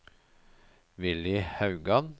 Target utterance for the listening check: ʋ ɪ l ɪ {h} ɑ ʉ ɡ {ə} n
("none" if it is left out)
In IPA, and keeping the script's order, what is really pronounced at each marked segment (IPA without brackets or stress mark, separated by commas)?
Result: h, ɑ